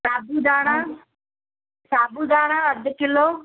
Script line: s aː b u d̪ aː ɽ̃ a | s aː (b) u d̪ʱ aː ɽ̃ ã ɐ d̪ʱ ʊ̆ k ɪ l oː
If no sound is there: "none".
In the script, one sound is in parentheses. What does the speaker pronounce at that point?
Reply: b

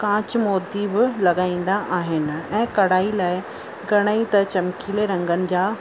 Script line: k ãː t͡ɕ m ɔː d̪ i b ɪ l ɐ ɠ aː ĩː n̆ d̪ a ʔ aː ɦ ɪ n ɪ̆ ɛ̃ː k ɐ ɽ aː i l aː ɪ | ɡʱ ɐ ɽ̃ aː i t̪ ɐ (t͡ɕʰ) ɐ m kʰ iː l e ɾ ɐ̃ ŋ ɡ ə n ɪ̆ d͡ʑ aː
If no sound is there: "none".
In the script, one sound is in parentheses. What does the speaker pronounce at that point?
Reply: t͡ɕ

